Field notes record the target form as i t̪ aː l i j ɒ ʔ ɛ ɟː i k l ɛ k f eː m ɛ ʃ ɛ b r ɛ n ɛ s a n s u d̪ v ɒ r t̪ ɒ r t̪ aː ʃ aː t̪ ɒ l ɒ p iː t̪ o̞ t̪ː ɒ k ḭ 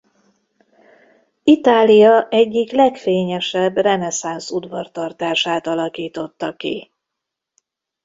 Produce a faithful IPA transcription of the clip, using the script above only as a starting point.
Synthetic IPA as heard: i t̪ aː l i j ɒ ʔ ɛ ɟː i k l ɛ k f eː ɲ ɛ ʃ ɛ b r ɛ n ɛ s a n s u d̪ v ɒ r t̪ ɒ r t̪ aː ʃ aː t̪ ɒ l ɒ k iː t̪ o̞ t̪ː ɒ k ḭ